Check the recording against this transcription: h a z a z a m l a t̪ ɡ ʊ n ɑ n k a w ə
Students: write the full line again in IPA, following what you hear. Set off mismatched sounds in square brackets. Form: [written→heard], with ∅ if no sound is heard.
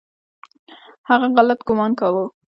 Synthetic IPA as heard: h a [z→ɣ] a [z→ɣ] a [m→∅] l a t̪ ɡ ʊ [n→m] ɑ n k a w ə